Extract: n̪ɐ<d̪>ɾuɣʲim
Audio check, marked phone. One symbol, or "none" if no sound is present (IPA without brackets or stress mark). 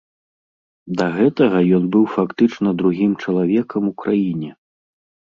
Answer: d̪